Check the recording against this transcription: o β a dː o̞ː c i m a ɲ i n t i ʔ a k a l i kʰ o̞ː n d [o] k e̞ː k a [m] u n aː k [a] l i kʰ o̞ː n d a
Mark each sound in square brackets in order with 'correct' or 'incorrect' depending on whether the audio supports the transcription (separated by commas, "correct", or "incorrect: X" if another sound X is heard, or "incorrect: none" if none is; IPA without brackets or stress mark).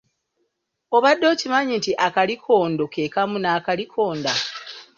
correct, correct, correct